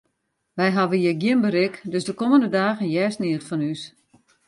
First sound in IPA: ʋ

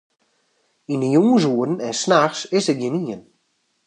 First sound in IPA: i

